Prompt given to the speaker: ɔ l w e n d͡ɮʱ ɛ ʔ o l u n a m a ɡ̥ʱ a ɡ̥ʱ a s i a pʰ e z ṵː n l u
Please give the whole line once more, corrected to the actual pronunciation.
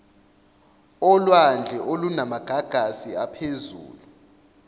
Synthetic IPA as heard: ɔ l w a n d͡ɮʱ ɛ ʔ o l u n a m a ɡ̥ʱ a ɡ̥ʱ a s i a pʰ e z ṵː l u